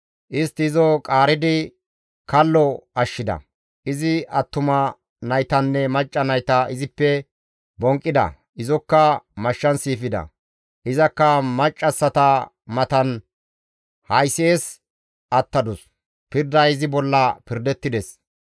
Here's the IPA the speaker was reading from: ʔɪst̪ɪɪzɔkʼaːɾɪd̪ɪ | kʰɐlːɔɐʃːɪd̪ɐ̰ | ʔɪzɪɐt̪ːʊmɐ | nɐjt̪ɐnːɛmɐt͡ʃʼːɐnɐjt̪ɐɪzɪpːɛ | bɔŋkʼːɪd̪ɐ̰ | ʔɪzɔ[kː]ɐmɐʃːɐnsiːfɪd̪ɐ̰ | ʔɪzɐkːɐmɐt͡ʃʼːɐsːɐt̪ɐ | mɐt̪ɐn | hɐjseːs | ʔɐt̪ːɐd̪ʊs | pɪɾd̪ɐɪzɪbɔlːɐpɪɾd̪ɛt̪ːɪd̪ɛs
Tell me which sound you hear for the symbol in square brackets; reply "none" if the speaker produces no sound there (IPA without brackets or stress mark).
kː